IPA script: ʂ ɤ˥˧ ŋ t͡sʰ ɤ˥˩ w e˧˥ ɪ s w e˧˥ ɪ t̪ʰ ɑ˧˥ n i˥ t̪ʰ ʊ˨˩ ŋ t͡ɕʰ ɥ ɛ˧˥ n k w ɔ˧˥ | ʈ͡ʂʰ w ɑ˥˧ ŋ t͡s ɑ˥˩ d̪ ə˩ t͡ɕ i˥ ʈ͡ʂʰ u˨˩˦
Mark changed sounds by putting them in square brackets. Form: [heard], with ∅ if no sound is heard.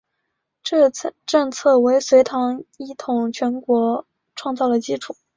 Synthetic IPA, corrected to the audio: [ʈ͡ʂ] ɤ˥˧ ŋ t͡sʰ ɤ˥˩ w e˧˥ ɪ s w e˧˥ ɪ t̪ʰ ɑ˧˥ [ŋ] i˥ t̪ʰ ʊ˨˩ ŋ t͡ɕʰ ɥ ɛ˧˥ n k w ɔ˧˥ | ʈ͡ʂʰ w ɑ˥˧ ŋ t͡s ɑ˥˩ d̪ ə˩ t͡ɕ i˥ ʈ͡ʂʰ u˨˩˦